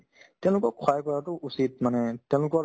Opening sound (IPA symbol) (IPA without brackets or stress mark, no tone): t